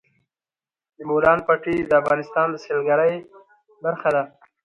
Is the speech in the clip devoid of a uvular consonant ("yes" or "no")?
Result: yes